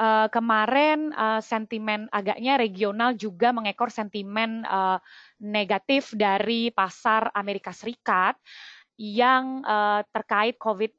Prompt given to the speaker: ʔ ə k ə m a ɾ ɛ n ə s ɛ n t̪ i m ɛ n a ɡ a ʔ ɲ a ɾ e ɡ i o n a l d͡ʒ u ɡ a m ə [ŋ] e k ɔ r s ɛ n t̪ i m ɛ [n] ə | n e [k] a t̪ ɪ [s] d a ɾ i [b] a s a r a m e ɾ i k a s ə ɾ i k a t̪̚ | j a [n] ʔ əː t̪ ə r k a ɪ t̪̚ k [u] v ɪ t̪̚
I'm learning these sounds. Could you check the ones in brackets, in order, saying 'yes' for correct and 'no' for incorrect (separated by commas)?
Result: yes, yes, no, no, no, no, no